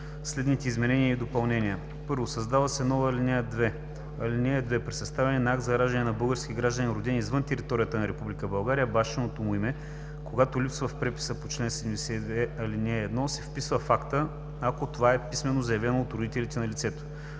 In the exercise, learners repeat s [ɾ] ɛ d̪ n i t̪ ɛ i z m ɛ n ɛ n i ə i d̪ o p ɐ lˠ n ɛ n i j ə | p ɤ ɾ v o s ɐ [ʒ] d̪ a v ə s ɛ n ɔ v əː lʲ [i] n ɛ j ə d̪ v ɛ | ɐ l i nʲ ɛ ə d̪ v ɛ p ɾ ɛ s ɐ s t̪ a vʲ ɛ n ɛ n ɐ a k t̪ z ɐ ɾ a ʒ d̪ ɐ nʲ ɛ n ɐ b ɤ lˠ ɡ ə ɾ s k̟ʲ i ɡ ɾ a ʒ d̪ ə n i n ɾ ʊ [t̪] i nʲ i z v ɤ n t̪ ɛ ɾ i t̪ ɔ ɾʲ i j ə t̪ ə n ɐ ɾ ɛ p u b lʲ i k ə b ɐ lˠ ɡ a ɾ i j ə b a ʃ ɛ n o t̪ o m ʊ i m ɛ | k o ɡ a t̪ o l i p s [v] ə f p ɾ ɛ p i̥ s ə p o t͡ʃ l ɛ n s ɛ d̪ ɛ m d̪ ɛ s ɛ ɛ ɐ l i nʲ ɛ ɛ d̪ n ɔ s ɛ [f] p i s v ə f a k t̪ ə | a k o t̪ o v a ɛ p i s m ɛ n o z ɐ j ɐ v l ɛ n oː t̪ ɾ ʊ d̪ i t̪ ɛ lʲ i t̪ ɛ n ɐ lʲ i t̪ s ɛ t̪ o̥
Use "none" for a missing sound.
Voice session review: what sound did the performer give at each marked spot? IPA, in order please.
l, z, i, d̪, v, f

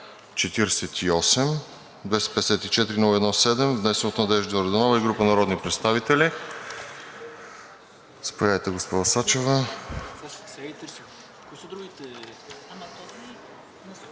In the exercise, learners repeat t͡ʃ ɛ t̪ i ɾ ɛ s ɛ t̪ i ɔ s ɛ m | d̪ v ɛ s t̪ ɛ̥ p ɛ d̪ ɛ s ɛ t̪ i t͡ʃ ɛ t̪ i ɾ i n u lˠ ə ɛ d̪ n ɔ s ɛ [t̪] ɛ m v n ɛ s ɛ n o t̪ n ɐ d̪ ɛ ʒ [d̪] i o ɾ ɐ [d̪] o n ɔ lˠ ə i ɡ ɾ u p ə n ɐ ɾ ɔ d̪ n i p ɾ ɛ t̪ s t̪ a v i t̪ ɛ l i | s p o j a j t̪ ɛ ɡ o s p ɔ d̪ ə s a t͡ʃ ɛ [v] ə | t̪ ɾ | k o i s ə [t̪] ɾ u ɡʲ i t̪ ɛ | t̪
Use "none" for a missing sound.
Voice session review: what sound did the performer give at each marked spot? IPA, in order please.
d̪, d̪, d̪, v, d̪

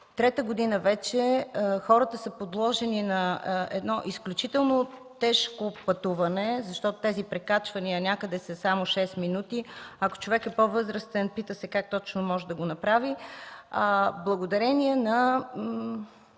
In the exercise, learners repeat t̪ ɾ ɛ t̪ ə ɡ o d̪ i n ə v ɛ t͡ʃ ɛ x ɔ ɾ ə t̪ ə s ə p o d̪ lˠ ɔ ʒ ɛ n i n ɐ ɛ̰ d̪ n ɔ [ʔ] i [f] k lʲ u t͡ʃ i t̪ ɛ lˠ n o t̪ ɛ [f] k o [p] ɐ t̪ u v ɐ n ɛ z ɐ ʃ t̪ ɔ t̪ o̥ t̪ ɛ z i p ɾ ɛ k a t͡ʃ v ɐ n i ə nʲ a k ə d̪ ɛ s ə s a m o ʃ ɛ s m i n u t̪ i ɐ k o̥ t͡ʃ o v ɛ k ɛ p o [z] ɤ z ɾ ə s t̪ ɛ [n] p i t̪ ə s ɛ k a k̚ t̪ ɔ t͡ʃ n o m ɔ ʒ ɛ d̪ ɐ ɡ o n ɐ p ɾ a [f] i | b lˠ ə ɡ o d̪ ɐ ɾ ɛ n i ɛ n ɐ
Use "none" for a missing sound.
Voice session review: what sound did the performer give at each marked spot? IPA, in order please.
ʔ, s, ʃ, p, v, n, v

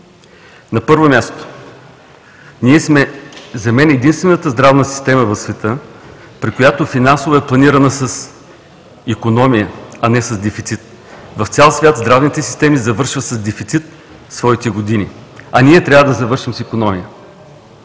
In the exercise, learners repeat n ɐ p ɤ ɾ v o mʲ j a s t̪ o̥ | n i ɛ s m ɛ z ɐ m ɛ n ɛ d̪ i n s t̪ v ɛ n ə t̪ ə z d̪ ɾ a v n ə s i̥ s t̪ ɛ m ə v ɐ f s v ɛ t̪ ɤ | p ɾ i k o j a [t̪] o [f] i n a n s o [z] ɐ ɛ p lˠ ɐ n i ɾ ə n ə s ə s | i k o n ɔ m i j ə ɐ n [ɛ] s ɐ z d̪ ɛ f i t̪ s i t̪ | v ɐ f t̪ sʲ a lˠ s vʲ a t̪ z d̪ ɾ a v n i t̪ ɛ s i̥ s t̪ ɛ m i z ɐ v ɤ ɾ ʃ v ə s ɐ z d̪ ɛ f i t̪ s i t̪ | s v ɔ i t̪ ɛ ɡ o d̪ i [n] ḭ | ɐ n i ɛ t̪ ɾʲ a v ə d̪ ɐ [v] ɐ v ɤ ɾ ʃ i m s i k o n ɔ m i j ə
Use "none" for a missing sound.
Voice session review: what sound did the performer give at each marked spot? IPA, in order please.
t̪, f, v, ɛ, n, z

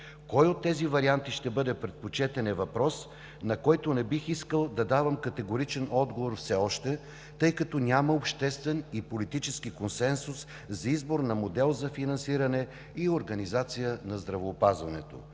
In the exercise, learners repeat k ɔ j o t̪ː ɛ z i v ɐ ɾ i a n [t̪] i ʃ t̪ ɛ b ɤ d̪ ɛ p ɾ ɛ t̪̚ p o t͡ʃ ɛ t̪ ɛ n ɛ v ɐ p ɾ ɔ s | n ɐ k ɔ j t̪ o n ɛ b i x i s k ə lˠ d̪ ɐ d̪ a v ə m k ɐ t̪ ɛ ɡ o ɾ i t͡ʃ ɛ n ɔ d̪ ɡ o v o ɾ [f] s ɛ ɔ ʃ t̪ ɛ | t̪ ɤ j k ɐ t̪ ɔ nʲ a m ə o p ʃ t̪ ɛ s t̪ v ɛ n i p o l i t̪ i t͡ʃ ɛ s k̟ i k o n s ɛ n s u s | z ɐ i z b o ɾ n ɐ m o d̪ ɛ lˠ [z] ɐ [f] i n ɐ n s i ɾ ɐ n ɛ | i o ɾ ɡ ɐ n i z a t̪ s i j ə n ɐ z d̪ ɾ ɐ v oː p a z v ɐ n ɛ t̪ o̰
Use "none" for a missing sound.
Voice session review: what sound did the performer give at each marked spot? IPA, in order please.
t̪, f, z, f

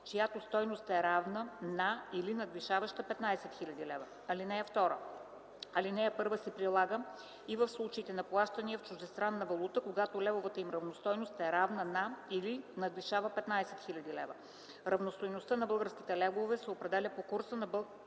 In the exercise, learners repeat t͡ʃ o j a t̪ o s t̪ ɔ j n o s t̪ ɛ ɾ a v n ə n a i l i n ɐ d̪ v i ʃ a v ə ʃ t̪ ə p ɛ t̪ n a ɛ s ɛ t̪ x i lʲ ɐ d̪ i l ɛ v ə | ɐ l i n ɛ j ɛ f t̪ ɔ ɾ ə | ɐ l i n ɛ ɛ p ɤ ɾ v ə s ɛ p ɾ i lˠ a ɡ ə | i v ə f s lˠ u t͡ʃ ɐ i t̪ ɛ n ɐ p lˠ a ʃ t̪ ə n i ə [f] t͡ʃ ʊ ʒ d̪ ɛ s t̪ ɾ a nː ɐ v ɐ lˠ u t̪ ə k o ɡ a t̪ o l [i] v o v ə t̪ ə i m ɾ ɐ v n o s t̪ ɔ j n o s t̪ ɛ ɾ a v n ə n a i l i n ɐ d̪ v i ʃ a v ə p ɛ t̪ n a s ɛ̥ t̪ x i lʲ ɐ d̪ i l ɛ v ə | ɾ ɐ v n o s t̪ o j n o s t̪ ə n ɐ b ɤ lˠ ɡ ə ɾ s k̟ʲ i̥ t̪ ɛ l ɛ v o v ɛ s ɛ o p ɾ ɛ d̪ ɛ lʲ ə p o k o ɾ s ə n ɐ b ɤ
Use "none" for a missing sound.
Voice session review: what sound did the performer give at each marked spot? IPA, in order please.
f, ɛ

